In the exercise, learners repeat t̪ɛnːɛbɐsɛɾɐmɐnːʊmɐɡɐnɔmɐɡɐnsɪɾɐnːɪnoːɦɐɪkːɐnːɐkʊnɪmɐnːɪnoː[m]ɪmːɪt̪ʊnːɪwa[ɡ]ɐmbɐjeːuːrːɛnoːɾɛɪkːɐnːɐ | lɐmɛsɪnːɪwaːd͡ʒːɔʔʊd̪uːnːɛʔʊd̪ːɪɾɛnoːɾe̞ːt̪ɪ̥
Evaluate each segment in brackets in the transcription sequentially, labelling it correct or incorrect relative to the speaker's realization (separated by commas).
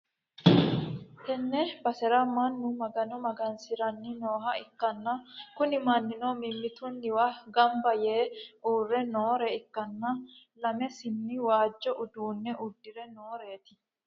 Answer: correct, correct